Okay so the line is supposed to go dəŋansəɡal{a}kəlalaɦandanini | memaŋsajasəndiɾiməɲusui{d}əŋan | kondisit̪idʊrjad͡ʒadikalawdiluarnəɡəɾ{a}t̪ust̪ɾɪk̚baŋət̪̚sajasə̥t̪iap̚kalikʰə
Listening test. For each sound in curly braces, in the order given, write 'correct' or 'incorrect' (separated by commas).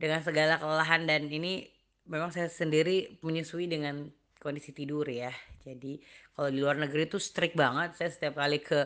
correct, correct, incorrect